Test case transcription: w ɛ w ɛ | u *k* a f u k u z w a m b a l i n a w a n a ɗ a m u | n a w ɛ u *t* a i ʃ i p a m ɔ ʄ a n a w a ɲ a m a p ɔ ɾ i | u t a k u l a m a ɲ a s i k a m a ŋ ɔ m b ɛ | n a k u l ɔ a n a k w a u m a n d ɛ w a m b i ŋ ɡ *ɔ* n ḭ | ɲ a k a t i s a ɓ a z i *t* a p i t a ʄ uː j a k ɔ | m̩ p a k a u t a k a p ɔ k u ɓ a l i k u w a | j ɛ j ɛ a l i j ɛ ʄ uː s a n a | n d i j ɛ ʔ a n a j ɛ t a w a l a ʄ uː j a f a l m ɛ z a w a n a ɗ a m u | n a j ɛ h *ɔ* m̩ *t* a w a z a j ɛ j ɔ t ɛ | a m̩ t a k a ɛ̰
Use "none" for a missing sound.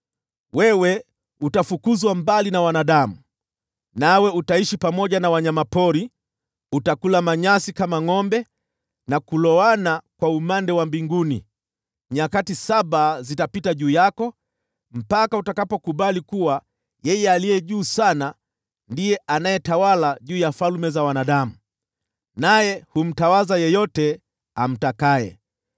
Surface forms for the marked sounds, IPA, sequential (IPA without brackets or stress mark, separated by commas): t, t, u, t, u, t